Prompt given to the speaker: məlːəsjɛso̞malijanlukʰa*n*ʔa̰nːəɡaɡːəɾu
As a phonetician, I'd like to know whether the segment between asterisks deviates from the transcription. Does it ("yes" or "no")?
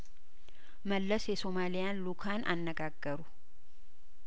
no